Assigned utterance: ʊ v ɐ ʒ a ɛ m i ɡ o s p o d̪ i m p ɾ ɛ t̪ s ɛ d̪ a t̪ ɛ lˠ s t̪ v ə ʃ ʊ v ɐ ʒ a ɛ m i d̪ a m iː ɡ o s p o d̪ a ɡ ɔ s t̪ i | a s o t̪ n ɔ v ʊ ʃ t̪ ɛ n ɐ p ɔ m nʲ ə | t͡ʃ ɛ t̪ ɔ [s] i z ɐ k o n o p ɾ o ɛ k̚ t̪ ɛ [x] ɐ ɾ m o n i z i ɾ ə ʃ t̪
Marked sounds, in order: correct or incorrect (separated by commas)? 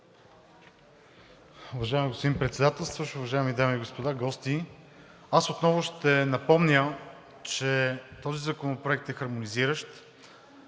incorrect, correct